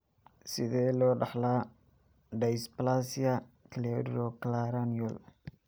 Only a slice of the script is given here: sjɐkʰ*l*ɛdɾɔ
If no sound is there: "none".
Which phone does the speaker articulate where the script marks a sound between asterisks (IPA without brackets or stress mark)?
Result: l